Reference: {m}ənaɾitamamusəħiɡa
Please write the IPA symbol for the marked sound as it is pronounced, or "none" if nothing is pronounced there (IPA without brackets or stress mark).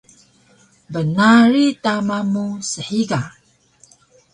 b